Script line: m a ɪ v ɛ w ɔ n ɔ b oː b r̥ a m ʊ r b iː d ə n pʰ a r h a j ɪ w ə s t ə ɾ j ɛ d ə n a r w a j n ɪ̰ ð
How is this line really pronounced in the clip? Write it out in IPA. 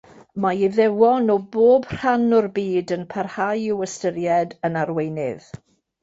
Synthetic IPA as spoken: m a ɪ ð ɛ w ɔ n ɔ b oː b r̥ a n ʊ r b iː d ə n pʰ a r h a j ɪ w ə s t ə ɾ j ɛ d ə n a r w e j n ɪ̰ ð